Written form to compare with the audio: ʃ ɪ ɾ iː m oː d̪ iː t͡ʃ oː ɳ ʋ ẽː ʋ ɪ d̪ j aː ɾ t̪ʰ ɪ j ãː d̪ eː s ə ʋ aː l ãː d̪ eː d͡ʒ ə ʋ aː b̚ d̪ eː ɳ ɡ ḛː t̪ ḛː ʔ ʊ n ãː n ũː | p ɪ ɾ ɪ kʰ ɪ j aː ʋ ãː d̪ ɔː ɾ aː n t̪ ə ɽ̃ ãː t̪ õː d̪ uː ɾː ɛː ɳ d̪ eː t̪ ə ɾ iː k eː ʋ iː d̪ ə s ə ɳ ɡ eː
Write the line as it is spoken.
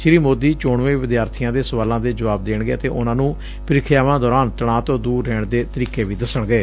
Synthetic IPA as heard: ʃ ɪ ɾ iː m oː d̪ iː t͡ʃ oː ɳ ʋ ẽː ʋ ɪ d̪ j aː ɾ t̪ʰ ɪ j ãː d̪ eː s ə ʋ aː l ãː d̪ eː d͡ʒ ə ʋ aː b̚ d̪ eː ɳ ɡ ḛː t̪ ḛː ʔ ʊ n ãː n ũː | p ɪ ɾ ɪ kʰ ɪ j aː ʋ ãː d̪ ɔː ɾ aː n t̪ ə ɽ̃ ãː t̪ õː d̪ uː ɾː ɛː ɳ d̪ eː t̪ ə ɾ iː k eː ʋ iː d̪ ə s ə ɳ ɡ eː

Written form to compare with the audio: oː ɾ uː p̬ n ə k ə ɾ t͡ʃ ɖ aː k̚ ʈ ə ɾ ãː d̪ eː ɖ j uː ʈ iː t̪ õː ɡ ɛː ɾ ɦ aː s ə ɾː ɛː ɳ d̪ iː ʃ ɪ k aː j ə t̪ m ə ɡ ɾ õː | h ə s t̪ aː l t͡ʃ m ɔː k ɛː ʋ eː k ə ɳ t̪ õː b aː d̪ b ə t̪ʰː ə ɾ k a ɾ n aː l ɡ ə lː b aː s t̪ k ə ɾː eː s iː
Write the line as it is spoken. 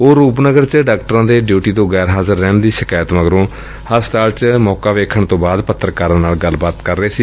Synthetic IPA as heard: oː ɾ uː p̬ n ə ɡ ə ɾ t͡ʃ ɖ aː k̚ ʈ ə ɾ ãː d̪ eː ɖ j uː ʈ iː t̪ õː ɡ ɛː ɾ ɦ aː z ə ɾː ɛː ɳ d̪ iː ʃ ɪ k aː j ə t̪ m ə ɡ ɾ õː | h ə s t̪ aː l t͡ʃ m ɔː k aː ʋ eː kʰ ə ɳ t̪ õː b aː d̪ p ə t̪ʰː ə ɾ k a ɾ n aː l ɡ ə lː b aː t̪ k ə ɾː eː s iː

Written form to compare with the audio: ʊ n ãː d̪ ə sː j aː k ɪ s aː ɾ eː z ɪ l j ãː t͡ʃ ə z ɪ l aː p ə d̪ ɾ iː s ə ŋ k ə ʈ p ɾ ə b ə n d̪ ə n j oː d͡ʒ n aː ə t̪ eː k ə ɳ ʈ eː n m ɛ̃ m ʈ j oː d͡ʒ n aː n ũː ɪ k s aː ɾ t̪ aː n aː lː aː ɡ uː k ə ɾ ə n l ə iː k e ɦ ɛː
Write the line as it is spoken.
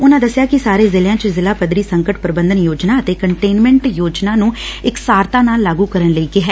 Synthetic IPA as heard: ʊ n ãː d̪ ə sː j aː k ɪ s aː ɾ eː z ɪ l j ãː t͡ʃ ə z ɪ l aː p ə d̪ ɾ iː s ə ŋ k ə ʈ p ɾ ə b ə n d̪ ə n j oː d͡ʒ n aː ə t̪ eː k ə ɳ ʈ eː n m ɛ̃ ɳ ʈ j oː d͡ʒ n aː n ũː ɪ k s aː ɾ t̪ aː n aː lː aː ɡ uː k ə ɾ ə n l ə iː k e ɦ ɛː

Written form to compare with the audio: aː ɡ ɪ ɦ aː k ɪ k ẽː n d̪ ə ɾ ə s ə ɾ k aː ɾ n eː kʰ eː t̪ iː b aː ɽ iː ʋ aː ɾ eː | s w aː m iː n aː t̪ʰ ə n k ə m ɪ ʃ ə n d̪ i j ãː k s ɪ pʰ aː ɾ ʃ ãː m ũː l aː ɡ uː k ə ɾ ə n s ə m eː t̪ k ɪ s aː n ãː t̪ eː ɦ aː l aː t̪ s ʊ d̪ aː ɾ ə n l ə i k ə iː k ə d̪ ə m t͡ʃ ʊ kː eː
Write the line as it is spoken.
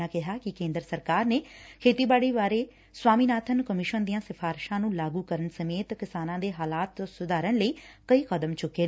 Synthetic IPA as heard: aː k ɪ ɦ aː k ɪ k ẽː n d̪ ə ɾ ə s ə ɾ k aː ɾ n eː kʰ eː t̪ iː b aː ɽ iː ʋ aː ɾ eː | s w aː m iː n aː t̪ʰ ə n k ə m ɪ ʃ ə n d̪ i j ãː s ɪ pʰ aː ɾ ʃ ãː n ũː l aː ɡ uː k ə ɾ ə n s ə m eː t̪ k ɪ s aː n ãː d̪ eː ɦ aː l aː t̪ s ʊ d̪ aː ɾ ə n l ə iː k ə iː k ə d̪ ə m t͡ʃ ʊ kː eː

